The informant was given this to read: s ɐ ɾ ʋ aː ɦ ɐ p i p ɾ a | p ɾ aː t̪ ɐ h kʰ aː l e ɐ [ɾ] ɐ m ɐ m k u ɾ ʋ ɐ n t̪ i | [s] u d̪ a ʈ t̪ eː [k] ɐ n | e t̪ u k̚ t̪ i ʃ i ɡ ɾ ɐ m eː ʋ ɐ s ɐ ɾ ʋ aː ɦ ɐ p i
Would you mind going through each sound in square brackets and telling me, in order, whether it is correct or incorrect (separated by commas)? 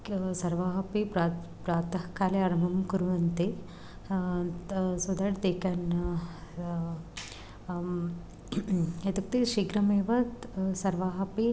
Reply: correct, correct, correct